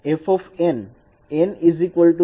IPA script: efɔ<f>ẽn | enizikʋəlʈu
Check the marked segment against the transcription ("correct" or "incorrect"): correct